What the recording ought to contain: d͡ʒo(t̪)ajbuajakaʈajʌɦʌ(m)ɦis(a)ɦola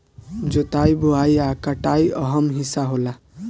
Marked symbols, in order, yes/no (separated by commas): yes, yes, yes